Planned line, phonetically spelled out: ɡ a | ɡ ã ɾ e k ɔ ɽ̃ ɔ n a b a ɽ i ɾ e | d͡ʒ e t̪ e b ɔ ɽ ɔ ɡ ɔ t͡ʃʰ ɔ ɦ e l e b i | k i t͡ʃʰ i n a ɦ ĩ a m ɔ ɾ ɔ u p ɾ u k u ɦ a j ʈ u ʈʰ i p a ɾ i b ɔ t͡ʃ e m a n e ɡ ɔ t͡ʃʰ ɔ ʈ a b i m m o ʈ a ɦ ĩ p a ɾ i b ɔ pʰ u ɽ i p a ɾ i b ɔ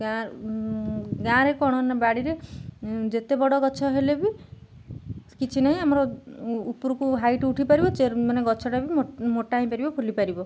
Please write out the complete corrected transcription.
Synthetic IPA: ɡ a | ɡ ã ɾ e k ɔ ɽ̃ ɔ n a b a ɽ i ɾ e | d͡ʒ e t̪ e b ɔ ɽ ɔ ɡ ɔ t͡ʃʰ ɔ ɦ e l e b i | k i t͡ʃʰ i n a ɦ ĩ a m ɔ ɾ ɔ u p ɾ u k u ɦ a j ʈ u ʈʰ i p a ɾ i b ɔ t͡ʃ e m a n e ɡ ɔ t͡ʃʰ ɔ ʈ a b i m m o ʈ a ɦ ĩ p a ɾ i b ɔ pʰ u l i p a ɾ i b ɔ